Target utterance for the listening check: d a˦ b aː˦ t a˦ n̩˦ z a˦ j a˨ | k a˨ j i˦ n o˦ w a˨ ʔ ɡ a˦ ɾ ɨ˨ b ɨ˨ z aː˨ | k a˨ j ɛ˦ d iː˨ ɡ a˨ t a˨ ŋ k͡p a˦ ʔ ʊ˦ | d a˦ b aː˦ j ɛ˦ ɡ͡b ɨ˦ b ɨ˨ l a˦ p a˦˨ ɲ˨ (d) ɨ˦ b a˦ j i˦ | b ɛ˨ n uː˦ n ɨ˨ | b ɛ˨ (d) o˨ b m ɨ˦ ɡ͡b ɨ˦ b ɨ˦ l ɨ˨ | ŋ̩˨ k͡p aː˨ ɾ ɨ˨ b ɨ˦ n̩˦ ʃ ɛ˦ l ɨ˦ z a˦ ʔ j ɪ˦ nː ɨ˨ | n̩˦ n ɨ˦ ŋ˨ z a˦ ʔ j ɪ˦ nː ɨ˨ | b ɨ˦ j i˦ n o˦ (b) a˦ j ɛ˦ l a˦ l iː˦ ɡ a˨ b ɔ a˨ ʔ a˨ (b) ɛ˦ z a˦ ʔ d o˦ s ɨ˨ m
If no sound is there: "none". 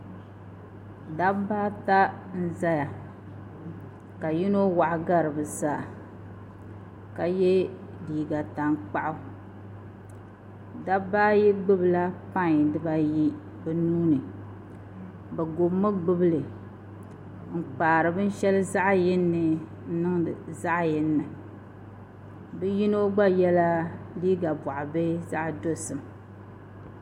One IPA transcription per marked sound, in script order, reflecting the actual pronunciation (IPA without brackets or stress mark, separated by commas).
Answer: d, ɡ, ɡ͡b, b